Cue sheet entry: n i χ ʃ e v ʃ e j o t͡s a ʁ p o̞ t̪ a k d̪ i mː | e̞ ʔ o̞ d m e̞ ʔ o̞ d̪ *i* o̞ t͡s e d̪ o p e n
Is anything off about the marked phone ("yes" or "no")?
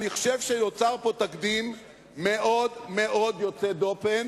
yes